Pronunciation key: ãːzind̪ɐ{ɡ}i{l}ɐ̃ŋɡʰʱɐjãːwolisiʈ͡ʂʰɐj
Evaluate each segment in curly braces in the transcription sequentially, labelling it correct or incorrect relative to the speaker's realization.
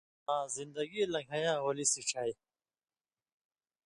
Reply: correct, correct

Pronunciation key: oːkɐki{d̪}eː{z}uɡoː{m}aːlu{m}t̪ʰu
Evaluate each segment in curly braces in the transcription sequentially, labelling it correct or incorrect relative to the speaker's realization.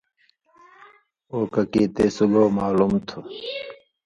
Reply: incorrect: t̪, incorrect: s, correct, correct

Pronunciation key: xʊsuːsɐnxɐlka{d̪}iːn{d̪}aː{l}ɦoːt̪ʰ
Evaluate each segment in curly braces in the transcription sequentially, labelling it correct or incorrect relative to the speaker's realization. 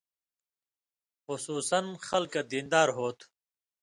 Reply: correct, correct, incorrect: ɾ

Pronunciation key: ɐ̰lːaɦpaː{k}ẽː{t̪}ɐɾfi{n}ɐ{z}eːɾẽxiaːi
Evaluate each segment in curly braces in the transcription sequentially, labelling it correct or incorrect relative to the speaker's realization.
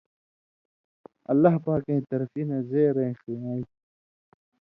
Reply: correct, correct, correct, correct

